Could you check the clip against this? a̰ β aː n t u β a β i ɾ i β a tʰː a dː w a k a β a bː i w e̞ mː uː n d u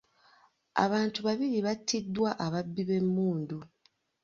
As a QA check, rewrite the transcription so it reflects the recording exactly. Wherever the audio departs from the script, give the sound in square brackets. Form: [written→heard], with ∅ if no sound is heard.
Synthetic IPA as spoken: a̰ β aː n t u β a β i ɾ i β a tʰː [a→i] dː w a [k→ʔ] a β a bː i [w→β] e̞ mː uː n d u

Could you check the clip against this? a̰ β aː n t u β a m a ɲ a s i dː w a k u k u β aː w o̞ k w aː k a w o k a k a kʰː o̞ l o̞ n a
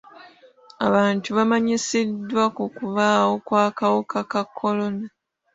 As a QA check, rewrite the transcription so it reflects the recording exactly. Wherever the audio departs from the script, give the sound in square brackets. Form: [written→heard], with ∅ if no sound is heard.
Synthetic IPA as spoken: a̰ β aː n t u β a m a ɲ [a→i] s i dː w a k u k u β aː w o̞ k w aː k a w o k a k a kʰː o̞ l o̞ n a

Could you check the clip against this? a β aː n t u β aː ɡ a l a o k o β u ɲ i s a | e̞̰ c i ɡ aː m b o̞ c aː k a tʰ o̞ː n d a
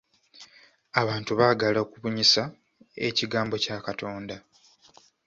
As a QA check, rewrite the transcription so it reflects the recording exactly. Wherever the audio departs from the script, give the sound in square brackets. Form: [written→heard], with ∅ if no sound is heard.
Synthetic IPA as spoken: a β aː n t u β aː ɡ a l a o k [o→u] β u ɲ i s a | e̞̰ c i ɡ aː m b o̞ c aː k a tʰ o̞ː n d a

